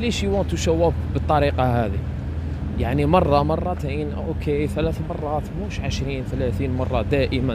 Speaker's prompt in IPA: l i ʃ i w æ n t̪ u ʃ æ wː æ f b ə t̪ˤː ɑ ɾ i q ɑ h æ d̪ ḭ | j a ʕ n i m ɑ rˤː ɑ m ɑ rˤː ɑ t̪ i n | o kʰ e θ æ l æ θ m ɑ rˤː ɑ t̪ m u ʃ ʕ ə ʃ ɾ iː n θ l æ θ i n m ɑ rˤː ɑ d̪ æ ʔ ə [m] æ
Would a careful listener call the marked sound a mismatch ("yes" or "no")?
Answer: no